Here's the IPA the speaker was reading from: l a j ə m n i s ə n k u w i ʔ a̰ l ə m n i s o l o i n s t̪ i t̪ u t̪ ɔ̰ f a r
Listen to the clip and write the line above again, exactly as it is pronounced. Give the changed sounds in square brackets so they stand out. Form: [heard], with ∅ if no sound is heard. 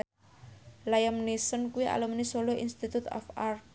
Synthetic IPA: l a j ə m n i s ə n k u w i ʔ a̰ l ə m n i s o l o i n s t̪ i t̪ u t̪ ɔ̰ f a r